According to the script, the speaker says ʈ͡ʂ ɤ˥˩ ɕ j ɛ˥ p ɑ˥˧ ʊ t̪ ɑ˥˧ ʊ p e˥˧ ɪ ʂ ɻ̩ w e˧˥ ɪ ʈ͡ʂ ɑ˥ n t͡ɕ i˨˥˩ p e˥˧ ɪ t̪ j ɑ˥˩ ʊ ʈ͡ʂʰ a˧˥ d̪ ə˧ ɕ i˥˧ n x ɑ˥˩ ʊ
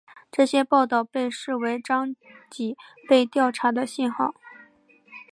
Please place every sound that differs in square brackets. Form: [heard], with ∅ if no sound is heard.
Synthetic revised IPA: ʈ͡ʂ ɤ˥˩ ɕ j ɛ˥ p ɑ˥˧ ʊ t̪ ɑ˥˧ ʊ p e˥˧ ɪ ʂ ɻ̩ w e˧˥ ɪ ʈ͡ʂ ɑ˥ [ŋ] t͡ɕ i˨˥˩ p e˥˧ ɪ t̪ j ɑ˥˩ ʊ ʈ͡ʂʰ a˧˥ d̪ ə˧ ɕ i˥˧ n x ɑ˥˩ ʊ